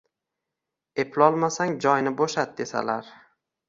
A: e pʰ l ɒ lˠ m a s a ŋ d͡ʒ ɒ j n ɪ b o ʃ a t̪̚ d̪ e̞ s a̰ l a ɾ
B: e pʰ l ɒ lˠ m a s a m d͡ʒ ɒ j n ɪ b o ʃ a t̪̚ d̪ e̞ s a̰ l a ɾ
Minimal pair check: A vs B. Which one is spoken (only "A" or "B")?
A